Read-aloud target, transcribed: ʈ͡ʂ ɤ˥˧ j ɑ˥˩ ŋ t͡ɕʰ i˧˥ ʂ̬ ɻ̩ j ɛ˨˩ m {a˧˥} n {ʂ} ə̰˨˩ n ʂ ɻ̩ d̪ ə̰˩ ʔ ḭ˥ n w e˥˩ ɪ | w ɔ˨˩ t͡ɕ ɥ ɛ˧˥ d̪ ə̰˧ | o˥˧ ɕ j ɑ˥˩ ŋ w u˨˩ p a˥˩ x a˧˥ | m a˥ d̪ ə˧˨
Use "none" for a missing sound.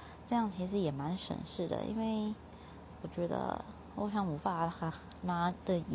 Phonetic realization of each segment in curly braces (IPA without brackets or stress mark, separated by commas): a˧˥, ʂ